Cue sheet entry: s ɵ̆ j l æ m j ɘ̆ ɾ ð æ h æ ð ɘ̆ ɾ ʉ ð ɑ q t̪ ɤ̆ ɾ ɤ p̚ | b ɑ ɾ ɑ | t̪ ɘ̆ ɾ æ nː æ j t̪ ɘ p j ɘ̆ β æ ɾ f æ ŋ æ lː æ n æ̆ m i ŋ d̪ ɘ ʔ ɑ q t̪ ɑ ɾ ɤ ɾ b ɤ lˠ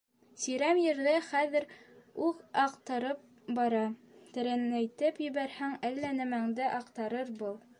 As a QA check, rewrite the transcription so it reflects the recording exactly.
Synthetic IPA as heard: s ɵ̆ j ɾ æ m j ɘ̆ ɾ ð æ χ æ ð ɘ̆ ɾ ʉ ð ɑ q t̪ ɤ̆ ɾ ɤ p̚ | b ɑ ɾ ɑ | t̪ ɘ̆ ɾ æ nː æ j t̪ ɘ p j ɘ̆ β æ ɾ h æ ŋ æ lː æ n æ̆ m æ ŋ d̪ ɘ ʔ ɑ q t̪ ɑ ɾ ɤ ɾ b ɤ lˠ